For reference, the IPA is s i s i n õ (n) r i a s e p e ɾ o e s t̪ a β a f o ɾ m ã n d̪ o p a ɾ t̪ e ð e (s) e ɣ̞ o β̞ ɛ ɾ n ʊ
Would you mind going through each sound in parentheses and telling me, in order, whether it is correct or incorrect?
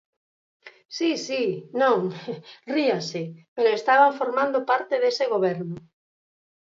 incorrect, correct

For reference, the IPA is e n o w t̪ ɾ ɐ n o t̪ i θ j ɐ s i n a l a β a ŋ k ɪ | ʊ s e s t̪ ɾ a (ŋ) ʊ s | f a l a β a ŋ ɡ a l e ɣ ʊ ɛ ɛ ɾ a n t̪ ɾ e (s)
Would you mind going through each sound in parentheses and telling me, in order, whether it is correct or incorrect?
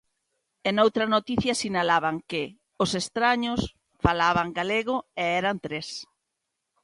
incorrect, correct

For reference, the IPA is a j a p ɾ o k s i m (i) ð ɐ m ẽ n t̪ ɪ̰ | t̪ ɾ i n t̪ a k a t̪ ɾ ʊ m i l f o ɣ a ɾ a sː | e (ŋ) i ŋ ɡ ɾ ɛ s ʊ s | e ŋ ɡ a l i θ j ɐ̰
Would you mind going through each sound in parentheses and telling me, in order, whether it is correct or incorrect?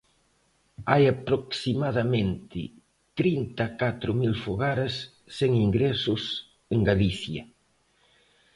incorrect, correct

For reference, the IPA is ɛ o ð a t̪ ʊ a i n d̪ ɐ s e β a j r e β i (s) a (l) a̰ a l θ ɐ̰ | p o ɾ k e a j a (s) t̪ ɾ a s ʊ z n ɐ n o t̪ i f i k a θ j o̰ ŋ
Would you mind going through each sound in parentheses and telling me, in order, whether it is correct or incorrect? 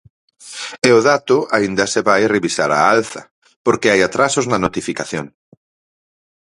correct, incorrect, incorrect

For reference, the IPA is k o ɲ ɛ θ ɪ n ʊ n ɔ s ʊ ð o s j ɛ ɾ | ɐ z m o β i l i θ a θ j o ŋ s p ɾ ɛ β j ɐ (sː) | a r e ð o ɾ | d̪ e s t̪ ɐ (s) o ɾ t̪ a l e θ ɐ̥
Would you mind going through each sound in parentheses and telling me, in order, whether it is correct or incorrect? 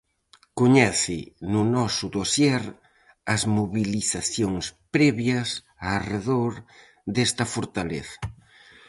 incorrect, incorrect

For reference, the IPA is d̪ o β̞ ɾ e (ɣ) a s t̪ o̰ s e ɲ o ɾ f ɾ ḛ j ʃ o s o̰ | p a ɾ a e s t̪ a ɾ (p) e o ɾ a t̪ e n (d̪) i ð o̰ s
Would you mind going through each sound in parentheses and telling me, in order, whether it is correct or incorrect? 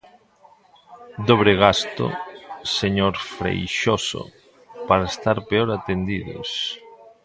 correct, correct, correct

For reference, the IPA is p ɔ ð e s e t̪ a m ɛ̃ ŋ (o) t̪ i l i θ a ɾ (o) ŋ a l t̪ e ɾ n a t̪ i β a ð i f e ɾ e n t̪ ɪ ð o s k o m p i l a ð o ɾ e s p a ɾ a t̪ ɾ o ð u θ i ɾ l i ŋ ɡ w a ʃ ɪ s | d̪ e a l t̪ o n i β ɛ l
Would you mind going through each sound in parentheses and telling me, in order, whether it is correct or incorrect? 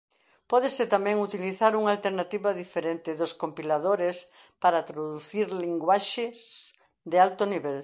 incorrect, incorrect

